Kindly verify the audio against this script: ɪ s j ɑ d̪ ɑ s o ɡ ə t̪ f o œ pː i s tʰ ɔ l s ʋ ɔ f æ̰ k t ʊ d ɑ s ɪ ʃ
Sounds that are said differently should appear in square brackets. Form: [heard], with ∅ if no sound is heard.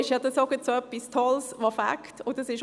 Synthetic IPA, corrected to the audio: ɪ [ʃ] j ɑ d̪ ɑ s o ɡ ə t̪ [s] o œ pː i s tʰ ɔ l s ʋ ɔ f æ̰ k t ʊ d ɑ s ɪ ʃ